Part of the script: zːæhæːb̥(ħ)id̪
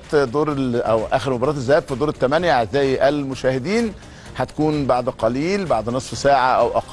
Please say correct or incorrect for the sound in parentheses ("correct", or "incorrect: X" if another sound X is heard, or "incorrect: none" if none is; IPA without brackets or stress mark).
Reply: incorrect: f